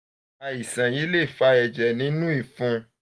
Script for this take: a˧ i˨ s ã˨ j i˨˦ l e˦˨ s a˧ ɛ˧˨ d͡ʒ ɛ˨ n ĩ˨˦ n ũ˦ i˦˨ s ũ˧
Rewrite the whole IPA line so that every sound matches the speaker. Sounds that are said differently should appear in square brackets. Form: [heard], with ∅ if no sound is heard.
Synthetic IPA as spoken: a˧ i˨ s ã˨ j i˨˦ l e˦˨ [f] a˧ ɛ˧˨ d͡ʒ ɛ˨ n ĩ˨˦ n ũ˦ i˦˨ [f] ũ˧